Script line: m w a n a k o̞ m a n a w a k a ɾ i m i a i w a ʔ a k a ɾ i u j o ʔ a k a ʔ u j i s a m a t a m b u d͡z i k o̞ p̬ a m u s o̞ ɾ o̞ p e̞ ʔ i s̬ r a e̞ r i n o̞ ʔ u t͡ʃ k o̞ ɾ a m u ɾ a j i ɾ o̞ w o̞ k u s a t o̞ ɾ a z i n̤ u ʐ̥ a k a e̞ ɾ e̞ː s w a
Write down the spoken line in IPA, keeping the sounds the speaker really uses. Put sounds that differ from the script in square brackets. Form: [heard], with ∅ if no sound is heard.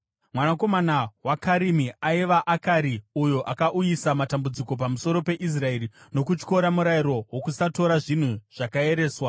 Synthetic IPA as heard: m w a n a k o̞ m a n a w a k a ɾ i m i a i [ʋ] a ʔ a k a ɾ i u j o ʔ a k a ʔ u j i s a m a t a m b u d͡z i k o̞ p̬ a m u s o̞ ɾ o̞ p e̞ ʔ i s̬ r a e̞ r i n o̞ [k] u t͡ʃ k o̞ ɾ a m u ɾ a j i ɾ o̞ w o̞ k u s a t o̞ ɾ a [ʐ] i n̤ u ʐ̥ a k a e̞ ɾ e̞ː s w a

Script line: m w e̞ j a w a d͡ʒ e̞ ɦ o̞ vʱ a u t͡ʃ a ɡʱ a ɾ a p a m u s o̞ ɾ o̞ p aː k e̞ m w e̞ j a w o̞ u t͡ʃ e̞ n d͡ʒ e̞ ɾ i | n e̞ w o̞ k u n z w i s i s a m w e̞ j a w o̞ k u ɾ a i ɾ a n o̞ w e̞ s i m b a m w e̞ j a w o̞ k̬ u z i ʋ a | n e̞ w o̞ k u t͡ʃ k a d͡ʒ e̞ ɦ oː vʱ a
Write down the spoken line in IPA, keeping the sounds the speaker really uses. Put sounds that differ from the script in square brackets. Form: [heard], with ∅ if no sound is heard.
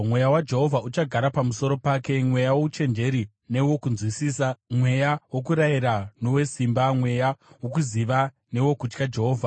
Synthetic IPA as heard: m w e̞ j a w a d͡ʒ e̞ ɦ o̞ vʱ a u t͡ʃ a ɡʱ a ɾ a p a m u s o̞ ɾ o̞ p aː k e̞ m w e̞ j a w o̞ u t͡ʃ e̞ n d͡ʒ e̞ ɾ i | n e̞ w o̞ k u n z w i s i s a m w e̞ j a w o̞ k u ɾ a i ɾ a n o̞ w e̞ s i m b a m w e̞ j a w o̞ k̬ u z i ʋ a | n e̞ w o̞ k u t͡ʃ k a d͡ʒ e̞ ɦ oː vʱ a

